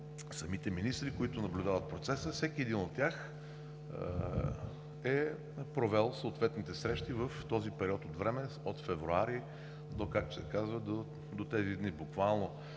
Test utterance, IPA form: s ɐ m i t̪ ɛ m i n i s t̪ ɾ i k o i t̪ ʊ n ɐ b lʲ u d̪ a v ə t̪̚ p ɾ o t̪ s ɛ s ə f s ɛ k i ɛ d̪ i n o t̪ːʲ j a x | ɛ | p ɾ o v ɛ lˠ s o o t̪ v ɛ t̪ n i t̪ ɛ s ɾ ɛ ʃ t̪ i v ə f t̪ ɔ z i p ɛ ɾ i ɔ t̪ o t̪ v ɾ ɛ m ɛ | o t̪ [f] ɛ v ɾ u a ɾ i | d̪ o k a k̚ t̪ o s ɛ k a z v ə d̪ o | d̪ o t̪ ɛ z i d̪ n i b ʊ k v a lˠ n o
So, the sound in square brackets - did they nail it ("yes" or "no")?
yes